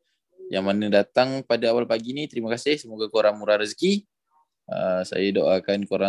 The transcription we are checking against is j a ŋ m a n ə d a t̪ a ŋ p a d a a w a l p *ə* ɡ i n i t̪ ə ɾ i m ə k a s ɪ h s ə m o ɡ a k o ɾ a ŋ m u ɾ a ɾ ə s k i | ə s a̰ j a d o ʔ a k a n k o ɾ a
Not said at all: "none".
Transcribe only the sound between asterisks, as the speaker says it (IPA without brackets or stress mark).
a